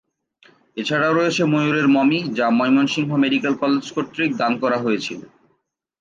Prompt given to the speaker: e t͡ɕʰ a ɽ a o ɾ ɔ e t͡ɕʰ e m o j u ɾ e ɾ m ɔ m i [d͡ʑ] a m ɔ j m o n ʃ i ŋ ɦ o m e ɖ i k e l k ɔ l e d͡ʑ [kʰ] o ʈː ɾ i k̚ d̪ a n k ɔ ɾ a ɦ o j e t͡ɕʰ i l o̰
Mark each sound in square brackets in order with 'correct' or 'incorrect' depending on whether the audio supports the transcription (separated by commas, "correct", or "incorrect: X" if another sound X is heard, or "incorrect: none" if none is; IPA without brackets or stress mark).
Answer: correct, incorrect: k